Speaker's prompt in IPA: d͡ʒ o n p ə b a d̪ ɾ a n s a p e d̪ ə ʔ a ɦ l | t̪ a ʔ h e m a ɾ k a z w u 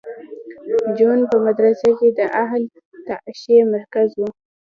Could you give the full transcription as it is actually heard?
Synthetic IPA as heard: d͡ʒ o n p ə m a d̪ ɾ a s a k e d̪ ə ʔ a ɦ l | t̪ a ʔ ʃ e m a ɾ k a z w u